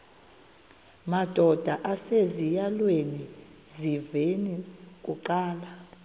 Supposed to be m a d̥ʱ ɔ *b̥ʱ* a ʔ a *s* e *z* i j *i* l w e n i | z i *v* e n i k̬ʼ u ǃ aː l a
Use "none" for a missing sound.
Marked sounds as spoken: d̥ʱ, s, z, a, v

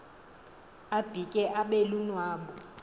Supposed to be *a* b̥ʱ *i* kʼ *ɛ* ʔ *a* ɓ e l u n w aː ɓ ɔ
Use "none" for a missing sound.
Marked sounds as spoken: a, i, ɛ, a

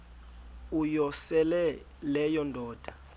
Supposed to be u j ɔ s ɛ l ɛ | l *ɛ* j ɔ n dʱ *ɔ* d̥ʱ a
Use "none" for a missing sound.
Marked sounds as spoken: ɛ, ɔː

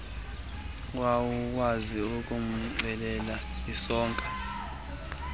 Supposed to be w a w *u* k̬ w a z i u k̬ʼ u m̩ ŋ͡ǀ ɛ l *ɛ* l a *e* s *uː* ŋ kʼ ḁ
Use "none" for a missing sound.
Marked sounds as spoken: u, ɛ, i, ɔː

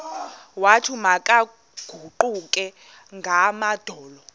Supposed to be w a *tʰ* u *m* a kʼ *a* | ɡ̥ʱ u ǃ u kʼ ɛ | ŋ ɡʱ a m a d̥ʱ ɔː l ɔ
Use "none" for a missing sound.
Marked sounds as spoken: tʰ, m, a

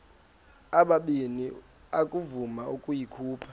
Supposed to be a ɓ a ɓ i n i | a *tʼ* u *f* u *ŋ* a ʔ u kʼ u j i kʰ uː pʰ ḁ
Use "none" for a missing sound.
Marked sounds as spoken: kʼ, v, m

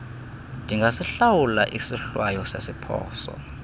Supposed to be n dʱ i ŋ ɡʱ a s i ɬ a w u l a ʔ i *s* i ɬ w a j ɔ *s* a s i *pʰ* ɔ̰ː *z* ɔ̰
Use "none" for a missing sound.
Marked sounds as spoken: s, s, pʰ, s

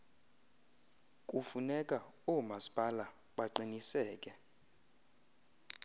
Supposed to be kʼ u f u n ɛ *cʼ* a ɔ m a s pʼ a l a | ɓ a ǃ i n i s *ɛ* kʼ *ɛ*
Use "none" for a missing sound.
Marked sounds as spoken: kʼ, ɛː, ɛ

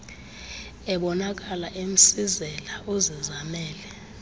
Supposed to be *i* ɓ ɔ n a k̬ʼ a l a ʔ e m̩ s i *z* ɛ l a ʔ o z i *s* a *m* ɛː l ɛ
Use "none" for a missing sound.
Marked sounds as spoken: ɛ, z, z, m

